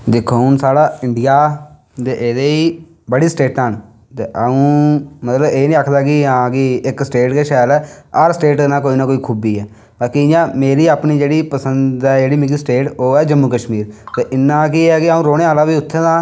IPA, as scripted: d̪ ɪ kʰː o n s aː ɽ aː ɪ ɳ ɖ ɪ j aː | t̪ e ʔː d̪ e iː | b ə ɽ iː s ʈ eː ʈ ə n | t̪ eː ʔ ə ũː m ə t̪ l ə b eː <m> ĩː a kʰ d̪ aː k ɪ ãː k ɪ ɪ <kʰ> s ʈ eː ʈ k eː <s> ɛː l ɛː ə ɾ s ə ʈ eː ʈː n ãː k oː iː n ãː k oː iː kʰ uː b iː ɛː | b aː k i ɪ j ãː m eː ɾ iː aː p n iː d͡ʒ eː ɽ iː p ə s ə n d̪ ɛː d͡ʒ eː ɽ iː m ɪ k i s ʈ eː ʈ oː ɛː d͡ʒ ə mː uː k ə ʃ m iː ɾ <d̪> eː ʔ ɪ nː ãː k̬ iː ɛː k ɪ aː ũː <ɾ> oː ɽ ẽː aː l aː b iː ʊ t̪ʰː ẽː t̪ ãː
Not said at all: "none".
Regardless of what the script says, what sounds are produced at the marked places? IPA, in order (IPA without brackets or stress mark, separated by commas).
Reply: n, k, ʃ, t̪, ɾ